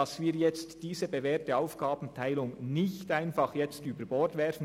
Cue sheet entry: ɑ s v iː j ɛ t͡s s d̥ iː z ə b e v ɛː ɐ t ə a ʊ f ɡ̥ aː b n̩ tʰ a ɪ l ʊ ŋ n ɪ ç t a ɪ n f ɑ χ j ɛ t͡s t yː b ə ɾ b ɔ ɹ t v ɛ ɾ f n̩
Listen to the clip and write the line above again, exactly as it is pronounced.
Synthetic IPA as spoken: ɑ s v iː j ɛ t͡s t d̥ iː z ə b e v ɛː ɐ t ə a ʊ f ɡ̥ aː b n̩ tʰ a ɪ l ʊ ŋ n ɪ ç t a ɪ n f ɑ χ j ɛ t͡s t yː b ə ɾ b ɔ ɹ t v ɛ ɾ f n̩